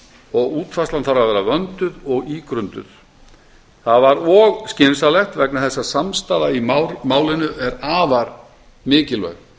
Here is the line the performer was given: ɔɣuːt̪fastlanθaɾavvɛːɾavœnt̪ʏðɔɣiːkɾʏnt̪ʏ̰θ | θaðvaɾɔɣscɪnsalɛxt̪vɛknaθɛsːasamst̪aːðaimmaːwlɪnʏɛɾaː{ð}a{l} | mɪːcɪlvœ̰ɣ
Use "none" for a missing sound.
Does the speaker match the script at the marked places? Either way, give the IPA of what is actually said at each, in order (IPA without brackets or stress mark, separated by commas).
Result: v, ɾ